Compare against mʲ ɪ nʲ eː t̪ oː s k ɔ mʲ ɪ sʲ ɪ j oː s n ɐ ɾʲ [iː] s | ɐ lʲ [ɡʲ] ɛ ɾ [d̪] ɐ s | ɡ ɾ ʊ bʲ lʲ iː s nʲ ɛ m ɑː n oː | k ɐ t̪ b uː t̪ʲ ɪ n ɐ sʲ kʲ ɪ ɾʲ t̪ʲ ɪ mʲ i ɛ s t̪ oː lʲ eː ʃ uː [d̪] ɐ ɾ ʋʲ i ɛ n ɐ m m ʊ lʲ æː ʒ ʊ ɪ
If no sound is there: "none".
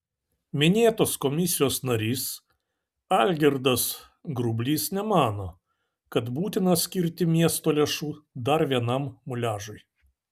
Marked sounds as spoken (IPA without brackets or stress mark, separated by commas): iː, ɡʲ, d̪, d̪